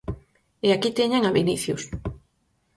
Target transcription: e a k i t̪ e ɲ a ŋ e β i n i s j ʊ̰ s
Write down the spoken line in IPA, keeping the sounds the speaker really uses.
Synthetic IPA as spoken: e a k i t̪ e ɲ a ŋ a β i n i θ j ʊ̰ s